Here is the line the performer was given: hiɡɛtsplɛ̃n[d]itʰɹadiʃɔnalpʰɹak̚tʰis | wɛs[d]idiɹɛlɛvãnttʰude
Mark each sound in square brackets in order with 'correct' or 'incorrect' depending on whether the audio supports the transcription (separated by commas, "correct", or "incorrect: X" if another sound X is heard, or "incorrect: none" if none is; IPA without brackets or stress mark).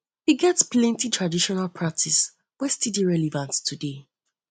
incorrect: t, incorrect: t